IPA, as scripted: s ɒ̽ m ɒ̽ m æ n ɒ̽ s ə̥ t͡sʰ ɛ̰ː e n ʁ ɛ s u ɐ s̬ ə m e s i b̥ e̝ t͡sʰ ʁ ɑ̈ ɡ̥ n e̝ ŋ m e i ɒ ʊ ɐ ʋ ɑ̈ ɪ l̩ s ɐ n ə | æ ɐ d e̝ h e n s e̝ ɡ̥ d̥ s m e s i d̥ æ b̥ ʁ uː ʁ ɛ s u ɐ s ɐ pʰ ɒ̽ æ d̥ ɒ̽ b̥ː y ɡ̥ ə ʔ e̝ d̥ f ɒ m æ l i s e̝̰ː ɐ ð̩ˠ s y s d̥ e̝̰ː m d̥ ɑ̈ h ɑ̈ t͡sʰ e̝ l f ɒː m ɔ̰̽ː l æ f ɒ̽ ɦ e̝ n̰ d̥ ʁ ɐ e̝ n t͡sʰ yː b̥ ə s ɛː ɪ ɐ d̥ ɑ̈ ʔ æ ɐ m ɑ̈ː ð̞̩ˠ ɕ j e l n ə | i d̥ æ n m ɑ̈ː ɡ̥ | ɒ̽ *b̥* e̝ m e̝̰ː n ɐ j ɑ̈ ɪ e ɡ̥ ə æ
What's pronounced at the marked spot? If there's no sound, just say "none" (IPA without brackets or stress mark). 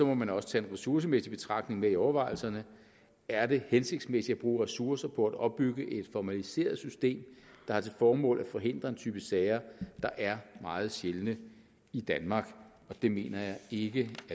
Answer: d̥